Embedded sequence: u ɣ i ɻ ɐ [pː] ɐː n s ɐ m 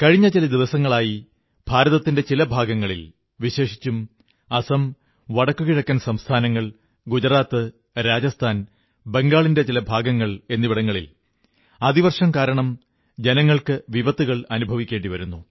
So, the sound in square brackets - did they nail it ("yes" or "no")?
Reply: no